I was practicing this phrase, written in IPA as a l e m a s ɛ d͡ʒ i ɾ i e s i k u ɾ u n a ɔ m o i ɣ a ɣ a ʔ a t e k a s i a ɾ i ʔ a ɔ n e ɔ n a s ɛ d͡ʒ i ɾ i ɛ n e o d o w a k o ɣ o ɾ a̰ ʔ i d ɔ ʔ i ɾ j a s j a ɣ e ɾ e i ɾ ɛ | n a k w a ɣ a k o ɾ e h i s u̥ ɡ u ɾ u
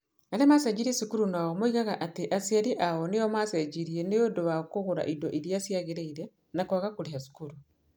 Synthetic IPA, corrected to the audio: a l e m a s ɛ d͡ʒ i ɾ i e s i k u ɾ u n a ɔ m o i ɣ a ɣ a ʔ a t e ʔ a s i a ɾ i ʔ a ɔ n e ɔ m a s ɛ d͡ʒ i ɾ i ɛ n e o d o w a k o ɣ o ɾ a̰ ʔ i d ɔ ʔ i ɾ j a s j a ɣ e ɾ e i ɾ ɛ | n a k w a ɣ a k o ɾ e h a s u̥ k u ɾ u

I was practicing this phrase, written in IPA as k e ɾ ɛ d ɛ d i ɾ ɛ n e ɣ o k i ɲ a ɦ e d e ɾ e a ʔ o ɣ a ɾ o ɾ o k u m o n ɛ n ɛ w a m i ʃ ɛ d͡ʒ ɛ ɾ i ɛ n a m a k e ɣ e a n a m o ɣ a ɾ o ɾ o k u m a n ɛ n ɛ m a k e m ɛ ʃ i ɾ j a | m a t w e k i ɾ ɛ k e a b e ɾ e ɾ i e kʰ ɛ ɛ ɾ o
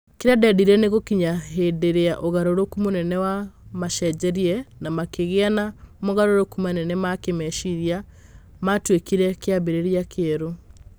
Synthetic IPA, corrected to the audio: k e ɾ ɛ d ɛ d i ɾ ɛ n e ɣ o k i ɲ a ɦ e d e ɾ e a ʔ o ɣ a ɾ o ɾ o k u m o n ɛ n ɛ w a m a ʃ ɛ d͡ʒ ɛ ɾ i ɛ n a m a k e ɣ e a n a m o ɣ a ɾ o ɾ o k u m a n ɛ n ɛ m a k e m ɛ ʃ i ɾ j a | m a t w e k i ɾ ɛ k e a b e ɾ e ɾ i a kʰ e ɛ ɾ o

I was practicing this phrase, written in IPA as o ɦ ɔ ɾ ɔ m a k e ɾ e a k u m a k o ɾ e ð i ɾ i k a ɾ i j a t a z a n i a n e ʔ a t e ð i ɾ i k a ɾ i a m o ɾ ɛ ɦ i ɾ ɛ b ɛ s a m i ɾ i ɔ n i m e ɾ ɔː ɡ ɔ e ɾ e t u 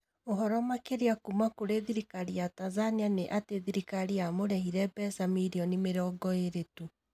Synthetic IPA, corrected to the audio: o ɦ ɔ ɾ ɔ m a k e ɾ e a k u m a k o ɾ e ð i ɾ i k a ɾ i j a t a z a n i a n e ʔ a t e ð i ɾ i k a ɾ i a m o ɾ ɛ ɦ i ɾ ɛ b ɛ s a m i ɾ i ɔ n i m e ɾ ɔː ɡ ɔ e ɾ e t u

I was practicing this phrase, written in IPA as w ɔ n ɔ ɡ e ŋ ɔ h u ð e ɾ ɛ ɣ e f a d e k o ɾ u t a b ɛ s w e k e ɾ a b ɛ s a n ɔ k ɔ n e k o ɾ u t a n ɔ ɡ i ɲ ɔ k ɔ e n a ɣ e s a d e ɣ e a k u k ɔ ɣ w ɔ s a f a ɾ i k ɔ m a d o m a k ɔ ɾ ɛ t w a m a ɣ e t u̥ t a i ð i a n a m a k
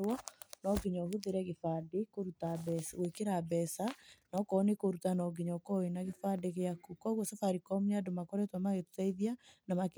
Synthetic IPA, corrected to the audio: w ɔ n ɔ ɡ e ɲ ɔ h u ð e ɾ ɛ ɣ e f a d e k o ɾ u t a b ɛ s w e k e ɾ a b ɛ s a n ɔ k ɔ n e k o ɾ u t a n ɔ ɡ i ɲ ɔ k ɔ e n a ɣ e f a d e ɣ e a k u k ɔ ɣ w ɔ s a f a ɾ i k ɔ m a d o m a k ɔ ɾ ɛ t w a m a ɣ e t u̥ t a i ð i a n a m a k

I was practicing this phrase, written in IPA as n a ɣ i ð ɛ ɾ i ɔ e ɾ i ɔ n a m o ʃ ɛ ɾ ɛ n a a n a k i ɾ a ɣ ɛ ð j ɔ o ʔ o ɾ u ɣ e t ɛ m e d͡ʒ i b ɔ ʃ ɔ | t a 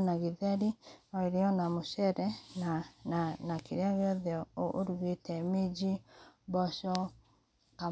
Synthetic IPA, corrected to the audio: n a ɣ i ð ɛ ɾ i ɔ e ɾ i ɔ n a m o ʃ ɛ ɾ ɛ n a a n a k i ɾ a ɣ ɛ ð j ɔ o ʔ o ɾ u ɣ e t ɛ m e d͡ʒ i b ɔ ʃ ɔ | k a

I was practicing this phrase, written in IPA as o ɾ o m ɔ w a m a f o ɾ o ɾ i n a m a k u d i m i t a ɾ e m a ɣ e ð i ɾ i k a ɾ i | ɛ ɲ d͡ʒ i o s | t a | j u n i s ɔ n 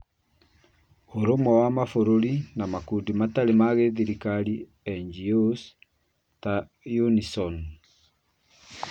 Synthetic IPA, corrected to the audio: o ɾ o m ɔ w a m a f o ɾ o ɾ i n a m a k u d i m a t a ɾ e m a ɣ e ð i ɾ i k a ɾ i | ɛ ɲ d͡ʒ i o s | t a | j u n i s ɔ n

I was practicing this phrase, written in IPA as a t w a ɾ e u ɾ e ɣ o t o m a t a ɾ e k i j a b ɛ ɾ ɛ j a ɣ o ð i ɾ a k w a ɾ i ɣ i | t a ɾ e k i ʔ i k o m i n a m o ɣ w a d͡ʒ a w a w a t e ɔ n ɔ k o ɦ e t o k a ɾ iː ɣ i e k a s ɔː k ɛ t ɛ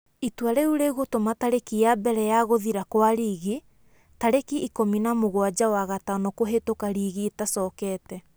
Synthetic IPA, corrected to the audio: i t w a ɾ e u ɾ e ɣ o t o m a t a ɾ e k i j a b ɛ ɾ ɛ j a ɣ o ð i ɾ a k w a ɾ i ɣ i | t a ɾ e k i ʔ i k o m i n a m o ɣ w a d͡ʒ a w a ɣ a t a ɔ n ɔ k o ɦ e t o k a ɾ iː ɣ i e t a s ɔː k ɛ t ɛ

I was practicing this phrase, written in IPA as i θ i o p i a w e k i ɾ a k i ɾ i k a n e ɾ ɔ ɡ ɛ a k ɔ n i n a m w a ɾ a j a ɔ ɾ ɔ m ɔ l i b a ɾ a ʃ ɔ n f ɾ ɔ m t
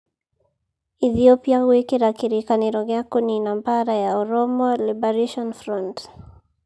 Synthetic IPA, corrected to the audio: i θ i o p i a w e k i ɾ a k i ɾ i k a n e ɾ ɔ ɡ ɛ a k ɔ n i n a m b a ɾ a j a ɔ ɾ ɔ m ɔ l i b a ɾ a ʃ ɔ n f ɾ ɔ n t

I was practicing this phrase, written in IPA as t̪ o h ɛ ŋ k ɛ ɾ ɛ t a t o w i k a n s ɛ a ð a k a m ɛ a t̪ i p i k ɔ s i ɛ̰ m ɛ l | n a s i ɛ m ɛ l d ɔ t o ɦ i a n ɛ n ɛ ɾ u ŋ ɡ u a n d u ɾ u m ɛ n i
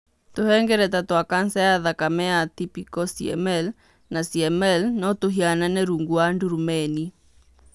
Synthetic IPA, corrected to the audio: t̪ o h ɛ ŋ ɡ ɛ ɾ ɛ t a t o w a k a n s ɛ a ð a k a m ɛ a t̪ i p i k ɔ s i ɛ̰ m ɛ l | n a s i ɛ m ɛ l n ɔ t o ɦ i a n a n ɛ ɾ u ŋ ɡ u a n d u ɾ u m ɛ n i

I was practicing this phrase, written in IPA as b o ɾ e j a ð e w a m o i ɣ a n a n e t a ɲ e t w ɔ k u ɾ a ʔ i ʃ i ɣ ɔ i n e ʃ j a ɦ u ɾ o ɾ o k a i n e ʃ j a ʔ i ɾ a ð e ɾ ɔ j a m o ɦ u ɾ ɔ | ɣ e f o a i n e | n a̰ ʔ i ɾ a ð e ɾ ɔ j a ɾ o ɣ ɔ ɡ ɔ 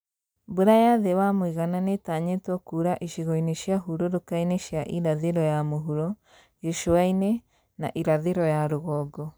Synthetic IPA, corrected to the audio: b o ɾ a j a ð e w a m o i ɣ a n a n e t a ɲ e t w ɔ k u ɾ a ʔ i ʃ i ɣ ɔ i n e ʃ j a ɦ u ɾ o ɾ o k a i n e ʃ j a ʔ i ɾ a ð e ɾ ɔ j a m o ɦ u ɾ ɔ | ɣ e ʃ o a i n e | n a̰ ʔ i ɾ a ð e ɾ ɔ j a ɾ o ɣ ɔ ɡ ɔ

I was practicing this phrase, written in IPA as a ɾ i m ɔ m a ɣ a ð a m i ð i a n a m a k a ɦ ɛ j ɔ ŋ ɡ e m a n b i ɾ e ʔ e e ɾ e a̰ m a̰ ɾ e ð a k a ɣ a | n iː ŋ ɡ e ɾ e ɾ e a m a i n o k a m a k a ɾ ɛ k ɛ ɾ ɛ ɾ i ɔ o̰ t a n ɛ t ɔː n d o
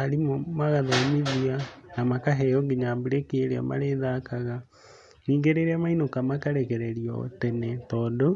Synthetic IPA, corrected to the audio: a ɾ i m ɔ m a ɣ a ð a m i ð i a n a m a k a ɦ ɛ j ɔ ŋ ɡ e ɲ a m b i ɾ e k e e ɾ e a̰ m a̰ ɾ e ð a k a ɣ a | n iː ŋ ɡ e ɾ e ɾ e a m a i n o k a m a k a ɾ ɛ k ɛ ɾ ɛ ɾ i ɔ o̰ t ɛ n ɛ t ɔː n d o

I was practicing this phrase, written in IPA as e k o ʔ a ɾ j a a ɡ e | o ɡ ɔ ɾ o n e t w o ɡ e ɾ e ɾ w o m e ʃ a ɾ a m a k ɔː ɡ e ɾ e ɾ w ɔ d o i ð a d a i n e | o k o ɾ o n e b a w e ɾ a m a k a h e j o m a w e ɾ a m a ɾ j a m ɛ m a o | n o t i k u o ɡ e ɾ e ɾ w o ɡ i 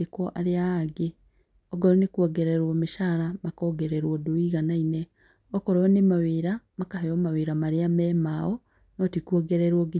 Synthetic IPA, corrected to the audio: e k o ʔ a ɾ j a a ɡ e | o ɡ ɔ ɾ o n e k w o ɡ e ɾ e ɾ w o m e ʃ a ɾ a m a k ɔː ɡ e ɾ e ɾ w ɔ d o i ɣ a n a i n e | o k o ɾ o n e m a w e ɾ a m a k a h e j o m a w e ɾ a m a ɾ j a m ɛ m a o | n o t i k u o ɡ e ɾ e ɾ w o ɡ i

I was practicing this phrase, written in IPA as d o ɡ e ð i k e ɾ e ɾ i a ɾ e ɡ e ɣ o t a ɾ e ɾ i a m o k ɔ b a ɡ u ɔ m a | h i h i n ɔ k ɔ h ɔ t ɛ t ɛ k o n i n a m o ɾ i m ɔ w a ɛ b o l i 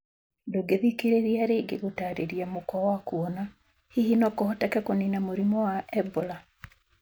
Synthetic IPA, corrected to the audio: d o ɡ e ð i k e ɾ e ɾ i a ɾ e ɡ e ɣ o t a ɾ e ɾ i a m o k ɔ w a k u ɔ n a | h i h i n ɔ k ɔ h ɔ t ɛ k ɛ k o n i n a m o ɾ i m ɔ w a ɛ b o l a

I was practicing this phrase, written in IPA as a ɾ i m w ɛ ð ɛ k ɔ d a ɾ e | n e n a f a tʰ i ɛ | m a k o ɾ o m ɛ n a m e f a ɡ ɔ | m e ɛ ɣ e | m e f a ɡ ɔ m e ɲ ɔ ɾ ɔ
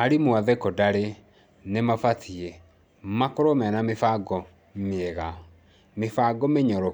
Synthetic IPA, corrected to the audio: a ɾ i m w a ð ɛ k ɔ d a ɾ e | n e m a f a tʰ i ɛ | m a k o ɾ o m ɛ n a m e f a ɡ ɔ | m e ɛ ɣ a | m e f a ɡ ɔ m e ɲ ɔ ɾ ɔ

